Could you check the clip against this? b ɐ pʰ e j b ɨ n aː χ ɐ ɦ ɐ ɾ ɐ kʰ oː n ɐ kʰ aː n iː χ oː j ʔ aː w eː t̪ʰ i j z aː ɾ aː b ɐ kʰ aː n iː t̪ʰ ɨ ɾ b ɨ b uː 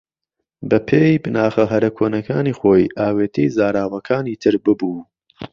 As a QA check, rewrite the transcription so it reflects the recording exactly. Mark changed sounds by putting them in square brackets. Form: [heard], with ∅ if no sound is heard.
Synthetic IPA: b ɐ pʰ e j b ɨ n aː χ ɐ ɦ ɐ ɾ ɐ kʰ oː n ɐ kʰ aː n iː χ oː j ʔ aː w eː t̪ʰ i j z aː ɾ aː [w] ɐ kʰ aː n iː t̪ʰ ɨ ɾ b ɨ b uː